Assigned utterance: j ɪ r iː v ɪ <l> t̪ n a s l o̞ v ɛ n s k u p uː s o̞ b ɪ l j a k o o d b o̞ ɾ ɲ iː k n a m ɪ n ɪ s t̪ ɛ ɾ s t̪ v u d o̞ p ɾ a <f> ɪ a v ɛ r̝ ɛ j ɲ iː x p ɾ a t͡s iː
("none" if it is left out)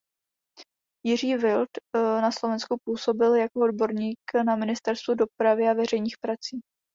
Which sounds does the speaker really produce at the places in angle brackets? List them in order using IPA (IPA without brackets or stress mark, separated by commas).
l, v